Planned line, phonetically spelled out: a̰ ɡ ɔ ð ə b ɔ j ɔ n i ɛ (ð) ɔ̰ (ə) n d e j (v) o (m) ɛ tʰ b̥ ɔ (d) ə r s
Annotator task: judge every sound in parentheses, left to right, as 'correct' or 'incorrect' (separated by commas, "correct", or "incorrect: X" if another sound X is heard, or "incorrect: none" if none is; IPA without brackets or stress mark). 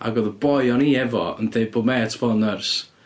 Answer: incorrect: v, correct, incorrect: b, correct, incorrect: n